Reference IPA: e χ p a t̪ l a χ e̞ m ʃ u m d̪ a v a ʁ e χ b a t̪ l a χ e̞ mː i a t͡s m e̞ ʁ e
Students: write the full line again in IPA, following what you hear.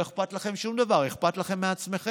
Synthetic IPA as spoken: e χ p a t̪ l a χ e̞ m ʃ u m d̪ a v a ʁ e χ p a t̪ l a χ e̞ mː e a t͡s m e̞ χ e